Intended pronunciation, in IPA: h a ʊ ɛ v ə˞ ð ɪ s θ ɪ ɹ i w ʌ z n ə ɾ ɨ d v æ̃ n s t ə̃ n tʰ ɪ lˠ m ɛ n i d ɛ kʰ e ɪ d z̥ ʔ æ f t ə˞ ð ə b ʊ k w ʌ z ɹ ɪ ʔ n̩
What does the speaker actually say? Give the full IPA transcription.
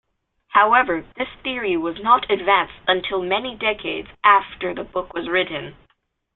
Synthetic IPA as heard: h a ʊ ɛ v ə˞ ð ɪ s θ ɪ ɹ i w ʌ z n ə ɾ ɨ d v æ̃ n s t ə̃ n tʰ ɪ lˠ m ɛ n i d ɛ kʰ e ɪ d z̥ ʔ æ f t ə˞ ð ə b ʊ k w ʌ z ɹ ɪ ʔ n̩